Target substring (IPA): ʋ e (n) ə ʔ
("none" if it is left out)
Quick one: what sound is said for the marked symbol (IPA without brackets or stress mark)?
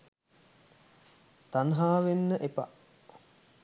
nː